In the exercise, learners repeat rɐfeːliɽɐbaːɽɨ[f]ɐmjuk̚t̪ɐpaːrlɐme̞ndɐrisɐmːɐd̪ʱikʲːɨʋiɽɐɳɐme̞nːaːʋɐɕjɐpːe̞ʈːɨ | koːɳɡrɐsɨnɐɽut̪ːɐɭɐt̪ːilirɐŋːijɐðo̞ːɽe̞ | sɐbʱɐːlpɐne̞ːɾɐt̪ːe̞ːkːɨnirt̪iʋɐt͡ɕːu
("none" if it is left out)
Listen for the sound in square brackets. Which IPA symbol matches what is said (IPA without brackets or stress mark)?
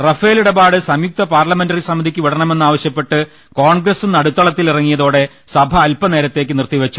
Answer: s